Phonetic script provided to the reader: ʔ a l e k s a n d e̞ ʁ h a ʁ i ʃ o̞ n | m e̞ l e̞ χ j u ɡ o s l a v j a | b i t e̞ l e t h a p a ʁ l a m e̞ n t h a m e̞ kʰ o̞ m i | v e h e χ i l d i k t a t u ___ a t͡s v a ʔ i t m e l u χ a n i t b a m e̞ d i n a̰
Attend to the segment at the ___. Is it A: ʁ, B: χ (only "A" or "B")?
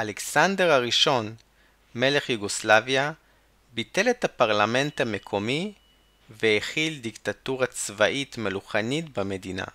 A